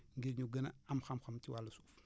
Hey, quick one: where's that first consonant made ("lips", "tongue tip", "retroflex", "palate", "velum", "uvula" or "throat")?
velum